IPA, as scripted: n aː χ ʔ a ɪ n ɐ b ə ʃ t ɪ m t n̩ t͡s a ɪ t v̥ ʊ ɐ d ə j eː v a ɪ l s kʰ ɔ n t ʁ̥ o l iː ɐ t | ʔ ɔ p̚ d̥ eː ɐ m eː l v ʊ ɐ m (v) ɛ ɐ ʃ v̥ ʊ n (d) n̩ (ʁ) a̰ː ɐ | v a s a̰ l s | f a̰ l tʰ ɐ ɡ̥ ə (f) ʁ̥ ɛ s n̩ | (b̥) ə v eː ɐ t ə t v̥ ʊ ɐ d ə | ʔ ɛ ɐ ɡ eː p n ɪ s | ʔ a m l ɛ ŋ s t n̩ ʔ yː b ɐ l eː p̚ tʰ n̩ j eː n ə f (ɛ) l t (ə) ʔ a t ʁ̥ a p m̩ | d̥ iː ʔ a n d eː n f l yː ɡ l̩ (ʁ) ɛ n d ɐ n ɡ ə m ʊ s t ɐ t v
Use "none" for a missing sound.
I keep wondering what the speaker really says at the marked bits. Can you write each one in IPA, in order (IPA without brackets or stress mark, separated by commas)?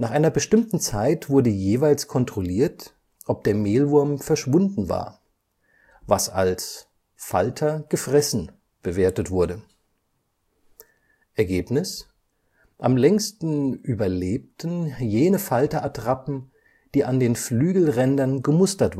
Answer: f, d, v, f, b̥, a, ɐ, ʁ